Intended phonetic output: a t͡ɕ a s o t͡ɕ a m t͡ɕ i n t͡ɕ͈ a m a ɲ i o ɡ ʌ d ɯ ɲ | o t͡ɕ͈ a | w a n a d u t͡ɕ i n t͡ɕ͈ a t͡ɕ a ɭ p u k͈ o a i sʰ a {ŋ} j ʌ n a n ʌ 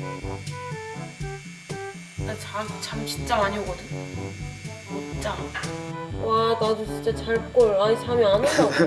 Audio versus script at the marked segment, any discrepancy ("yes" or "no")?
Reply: yes